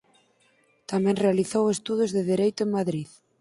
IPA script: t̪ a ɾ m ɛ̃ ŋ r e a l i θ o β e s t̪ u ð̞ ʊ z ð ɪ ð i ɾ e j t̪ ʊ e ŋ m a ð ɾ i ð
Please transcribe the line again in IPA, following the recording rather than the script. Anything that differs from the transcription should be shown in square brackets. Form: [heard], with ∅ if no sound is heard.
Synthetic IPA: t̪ a [∅] m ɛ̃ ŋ r e a l i θ o [w] e s t̪ u ð̞ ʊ z ð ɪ ð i ɾ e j t̪ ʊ e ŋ m a ð ɾ i ð